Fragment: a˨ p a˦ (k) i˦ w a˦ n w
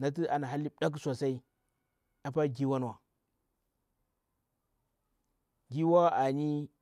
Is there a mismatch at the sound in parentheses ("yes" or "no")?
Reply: yes